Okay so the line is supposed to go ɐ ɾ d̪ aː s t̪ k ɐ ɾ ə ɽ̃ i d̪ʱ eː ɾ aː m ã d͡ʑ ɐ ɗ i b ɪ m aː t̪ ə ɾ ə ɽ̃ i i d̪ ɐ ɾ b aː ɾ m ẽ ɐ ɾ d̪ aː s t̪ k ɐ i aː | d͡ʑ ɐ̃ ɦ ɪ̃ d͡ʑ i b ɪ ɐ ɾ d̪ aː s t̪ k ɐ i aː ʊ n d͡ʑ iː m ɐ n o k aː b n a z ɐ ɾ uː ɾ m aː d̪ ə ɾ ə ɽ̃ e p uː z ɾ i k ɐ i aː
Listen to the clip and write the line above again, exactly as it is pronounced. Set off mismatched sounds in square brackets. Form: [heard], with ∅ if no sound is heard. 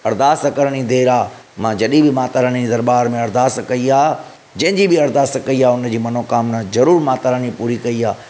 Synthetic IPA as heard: ɐ ɾ d̪ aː s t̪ k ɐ ɾ ə ɽ̃ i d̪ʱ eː ɾ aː m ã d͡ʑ ɐ ɗ i b ɪ m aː t̪ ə ɾ ə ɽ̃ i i d̪ ɐ ɾ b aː ɾ m ẽ ɐ ɾ d̪ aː s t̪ k ɐ i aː | d͡ʑ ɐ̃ ɦ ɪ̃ d͡ʑ i b ɪ ɐ ɾ d̪ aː s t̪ k ɐ i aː ʊ n d͡ʑ iː m ɐ n o k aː [m] n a z ɐ ɾ uː ɾ m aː [t̪] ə ɾ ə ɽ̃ [i] p uː [∅] ɾ i k ɐ i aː